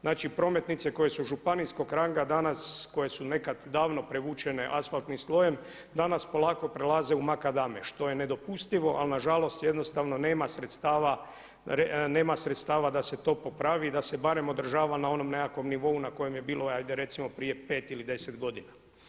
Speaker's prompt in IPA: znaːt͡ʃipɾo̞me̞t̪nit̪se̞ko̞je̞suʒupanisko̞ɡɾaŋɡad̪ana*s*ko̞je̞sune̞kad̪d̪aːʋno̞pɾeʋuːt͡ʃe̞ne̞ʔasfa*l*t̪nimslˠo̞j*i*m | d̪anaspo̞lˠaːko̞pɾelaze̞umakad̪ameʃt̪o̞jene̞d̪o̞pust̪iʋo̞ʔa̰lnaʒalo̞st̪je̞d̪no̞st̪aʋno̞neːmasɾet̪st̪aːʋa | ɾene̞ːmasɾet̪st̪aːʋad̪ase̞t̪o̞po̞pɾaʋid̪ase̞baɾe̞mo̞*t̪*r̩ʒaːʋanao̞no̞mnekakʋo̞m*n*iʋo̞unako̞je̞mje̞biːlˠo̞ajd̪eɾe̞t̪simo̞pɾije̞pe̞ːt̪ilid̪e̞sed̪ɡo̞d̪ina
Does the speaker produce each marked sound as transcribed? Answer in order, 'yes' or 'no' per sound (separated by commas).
yes, yes, no, no, yes